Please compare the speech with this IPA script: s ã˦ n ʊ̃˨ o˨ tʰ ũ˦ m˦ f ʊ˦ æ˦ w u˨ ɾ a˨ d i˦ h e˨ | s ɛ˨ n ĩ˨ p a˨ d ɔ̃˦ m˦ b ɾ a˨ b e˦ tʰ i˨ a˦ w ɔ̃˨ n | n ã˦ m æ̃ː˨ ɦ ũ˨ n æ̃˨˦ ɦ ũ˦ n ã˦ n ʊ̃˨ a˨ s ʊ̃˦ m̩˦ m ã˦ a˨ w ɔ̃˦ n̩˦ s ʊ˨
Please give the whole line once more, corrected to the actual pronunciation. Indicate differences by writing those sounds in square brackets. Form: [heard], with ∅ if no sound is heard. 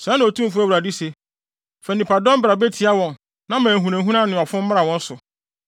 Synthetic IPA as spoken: s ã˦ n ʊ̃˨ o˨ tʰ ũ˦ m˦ f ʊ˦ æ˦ w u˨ ɾ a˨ d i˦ [s] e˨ | [f] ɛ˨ n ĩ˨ p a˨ d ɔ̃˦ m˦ b ɾ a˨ b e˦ tʰ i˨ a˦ w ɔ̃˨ n | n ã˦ m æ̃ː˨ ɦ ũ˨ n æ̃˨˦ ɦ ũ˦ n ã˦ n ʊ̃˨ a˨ [f] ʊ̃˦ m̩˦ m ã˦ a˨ w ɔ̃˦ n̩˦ s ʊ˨